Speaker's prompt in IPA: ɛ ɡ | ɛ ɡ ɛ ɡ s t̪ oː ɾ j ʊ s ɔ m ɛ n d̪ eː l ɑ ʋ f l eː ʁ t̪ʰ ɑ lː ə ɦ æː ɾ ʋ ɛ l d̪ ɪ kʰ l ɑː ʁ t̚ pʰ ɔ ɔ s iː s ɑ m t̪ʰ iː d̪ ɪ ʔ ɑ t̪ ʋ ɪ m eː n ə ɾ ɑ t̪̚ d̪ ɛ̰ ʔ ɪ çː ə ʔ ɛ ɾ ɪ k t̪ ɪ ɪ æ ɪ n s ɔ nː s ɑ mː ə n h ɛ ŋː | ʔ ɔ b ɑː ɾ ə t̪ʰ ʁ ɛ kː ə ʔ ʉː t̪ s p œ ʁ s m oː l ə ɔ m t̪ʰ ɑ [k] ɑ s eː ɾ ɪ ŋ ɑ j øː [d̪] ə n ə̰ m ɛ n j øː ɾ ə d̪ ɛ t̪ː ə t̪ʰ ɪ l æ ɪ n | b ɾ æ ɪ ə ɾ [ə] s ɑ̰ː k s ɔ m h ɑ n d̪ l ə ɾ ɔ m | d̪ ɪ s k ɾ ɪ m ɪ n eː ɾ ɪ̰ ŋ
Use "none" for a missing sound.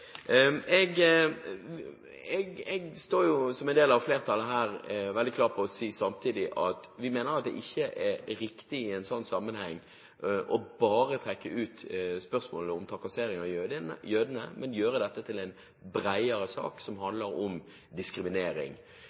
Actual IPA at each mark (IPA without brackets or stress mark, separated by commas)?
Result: k, d̪, ə